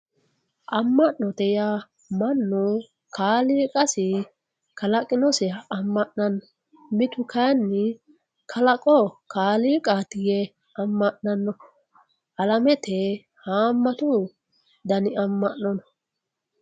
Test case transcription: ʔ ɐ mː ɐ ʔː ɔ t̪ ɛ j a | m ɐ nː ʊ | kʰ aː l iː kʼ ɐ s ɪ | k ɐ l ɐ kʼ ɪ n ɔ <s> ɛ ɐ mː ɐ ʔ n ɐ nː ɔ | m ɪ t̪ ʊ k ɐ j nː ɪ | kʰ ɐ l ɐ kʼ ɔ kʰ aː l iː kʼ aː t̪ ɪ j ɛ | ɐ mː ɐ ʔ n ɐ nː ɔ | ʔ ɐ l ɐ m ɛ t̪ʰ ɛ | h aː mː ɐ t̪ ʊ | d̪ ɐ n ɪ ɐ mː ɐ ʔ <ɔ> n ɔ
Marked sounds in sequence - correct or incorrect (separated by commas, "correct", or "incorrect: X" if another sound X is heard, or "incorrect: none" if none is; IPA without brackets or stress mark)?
correct, correct